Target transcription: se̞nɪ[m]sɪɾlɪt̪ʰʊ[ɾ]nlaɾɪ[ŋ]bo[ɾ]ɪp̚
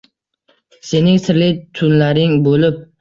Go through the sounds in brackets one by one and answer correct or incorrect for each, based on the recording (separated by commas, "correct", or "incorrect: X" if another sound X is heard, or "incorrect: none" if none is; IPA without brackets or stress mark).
incorrect: ŋ, incorrect: none, correct, incorrect: l